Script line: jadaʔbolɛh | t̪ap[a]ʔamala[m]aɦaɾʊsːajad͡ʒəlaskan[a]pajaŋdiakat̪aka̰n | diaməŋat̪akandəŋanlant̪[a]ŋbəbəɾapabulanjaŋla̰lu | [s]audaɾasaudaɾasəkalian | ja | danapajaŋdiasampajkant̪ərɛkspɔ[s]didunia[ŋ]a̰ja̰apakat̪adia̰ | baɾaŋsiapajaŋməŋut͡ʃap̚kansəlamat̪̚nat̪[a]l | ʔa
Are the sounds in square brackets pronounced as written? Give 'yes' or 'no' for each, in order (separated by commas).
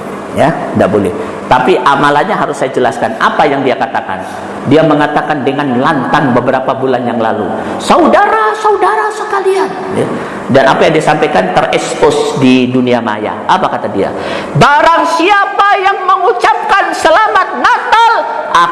no, no, yes, yes, yes, yes, no, yes